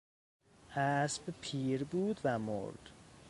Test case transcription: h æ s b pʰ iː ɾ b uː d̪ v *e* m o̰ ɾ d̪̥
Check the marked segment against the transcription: incorrect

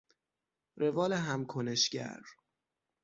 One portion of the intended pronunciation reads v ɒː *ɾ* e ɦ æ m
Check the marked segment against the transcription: incorrect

